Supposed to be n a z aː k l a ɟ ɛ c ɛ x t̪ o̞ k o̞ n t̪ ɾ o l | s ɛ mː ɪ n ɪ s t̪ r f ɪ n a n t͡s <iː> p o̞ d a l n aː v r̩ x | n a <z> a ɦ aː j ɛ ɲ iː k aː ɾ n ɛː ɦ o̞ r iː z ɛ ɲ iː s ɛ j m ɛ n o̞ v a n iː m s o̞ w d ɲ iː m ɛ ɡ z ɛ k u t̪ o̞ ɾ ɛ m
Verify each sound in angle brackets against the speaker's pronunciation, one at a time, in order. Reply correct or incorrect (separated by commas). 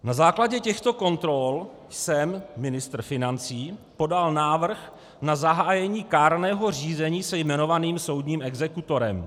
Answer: correct, correct